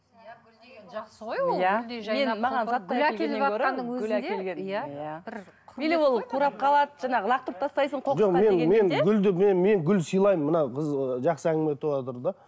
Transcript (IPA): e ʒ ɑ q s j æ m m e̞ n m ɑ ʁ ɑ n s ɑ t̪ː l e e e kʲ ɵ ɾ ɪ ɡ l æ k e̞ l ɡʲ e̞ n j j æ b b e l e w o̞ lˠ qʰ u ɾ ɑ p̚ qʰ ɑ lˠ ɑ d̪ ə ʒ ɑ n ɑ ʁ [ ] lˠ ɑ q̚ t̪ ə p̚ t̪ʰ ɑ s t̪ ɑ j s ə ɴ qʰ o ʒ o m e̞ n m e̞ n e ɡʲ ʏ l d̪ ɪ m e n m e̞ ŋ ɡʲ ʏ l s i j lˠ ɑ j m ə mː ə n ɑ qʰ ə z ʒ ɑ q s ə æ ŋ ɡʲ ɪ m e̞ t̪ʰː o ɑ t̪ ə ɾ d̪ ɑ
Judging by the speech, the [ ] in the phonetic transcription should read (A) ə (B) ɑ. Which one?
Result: A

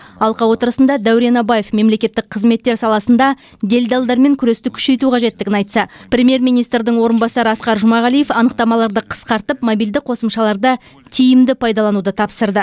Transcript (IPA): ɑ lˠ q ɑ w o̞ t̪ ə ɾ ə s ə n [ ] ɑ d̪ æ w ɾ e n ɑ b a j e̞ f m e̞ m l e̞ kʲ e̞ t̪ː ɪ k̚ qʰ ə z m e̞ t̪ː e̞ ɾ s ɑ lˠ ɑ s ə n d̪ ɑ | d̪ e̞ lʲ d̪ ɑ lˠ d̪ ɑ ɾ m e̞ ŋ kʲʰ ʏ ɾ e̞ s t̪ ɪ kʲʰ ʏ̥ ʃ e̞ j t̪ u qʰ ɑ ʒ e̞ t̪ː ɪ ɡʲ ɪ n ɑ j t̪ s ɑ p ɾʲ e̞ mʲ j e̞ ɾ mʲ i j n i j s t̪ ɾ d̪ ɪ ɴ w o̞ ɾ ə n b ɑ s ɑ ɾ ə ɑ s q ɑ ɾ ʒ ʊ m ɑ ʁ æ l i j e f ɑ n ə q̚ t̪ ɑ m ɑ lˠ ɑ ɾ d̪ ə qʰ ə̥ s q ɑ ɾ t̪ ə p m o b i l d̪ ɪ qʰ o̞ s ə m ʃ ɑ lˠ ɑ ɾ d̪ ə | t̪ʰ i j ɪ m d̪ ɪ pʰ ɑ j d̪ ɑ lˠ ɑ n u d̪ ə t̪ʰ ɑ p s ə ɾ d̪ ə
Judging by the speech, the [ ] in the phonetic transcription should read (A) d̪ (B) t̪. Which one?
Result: A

